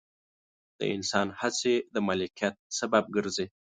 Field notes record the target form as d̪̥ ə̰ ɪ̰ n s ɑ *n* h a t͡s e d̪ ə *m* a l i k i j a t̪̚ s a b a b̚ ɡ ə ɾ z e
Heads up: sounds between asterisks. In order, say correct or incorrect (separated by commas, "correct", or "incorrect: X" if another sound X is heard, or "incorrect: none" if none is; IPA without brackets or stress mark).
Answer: correct, correct